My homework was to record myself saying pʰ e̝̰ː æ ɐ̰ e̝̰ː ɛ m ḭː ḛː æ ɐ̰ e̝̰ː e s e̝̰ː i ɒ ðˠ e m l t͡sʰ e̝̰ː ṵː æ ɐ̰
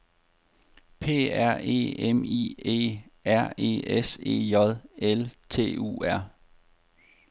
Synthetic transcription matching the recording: pʰ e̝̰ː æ ɐ̰ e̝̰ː e m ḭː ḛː æ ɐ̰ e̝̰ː e s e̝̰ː j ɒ ðˠ e l t͡sʰ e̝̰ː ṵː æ ɐ̰